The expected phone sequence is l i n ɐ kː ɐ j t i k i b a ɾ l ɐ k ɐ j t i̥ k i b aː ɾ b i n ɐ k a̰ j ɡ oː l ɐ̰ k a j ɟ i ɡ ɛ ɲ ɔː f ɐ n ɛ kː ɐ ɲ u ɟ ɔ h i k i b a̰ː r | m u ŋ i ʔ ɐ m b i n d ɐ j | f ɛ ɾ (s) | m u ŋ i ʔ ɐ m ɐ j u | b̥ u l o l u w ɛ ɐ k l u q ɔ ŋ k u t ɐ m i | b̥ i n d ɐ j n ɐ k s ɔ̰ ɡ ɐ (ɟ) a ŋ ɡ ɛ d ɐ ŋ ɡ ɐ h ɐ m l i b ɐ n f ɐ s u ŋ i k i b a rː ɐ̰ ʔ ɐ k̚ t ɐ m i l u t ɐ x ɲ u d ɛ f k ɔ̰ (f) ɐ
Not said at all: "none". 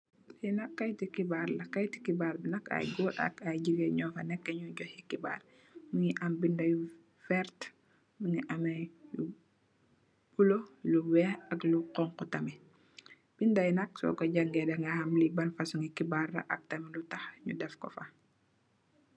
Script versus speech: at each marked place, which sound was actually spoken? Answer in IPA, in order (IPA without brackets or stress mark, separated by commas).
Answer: t, ɟ, f